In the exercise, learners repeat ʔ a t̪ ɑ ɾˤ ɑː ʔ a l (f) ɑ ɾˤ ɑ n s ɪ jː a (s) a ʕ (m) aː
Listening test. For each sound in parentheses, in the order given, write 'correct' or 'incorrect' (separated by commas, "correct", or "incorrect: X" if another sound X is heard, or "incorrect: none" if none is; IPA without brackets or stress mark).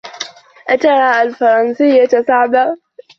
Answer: correct, correct, incorrect: b